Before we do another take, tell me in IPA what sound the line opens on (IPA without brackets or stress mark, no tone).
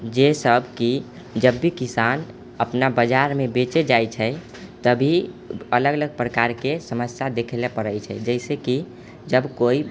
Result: d͡ʒ